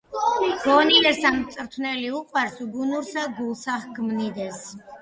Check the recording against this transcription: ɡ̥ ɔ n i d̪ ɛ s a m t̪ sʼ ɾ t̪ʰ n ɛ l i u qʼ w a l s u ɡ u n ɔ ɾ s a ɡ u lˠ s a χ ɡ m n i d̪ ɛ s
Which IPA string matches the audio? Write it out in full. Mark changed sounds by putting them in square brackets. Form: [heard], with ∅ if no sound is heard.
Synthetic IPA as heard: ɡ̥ ɔ n i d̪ ɛ s a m t̪ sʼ ɾ t̪ʰ n ɛ l i u qʼ w a [ɾ] s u ɡ u n [u] ɾ s a ɡ u lˠ s a χ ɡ m n i d̪ ɛ s